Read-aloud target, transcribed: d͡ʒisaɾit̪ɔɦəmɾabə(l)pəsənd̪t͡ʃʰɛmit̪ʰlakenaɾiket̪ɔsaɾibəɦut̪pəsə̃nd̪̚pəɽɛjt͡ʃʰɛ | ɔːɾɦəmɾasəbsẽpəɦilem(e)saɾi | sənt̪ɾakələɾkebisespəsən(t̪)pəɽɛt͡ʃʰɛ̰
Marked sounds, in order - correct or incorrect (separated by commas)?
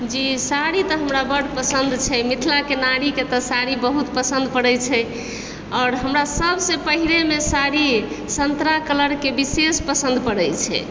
incorrect, correct, incorrect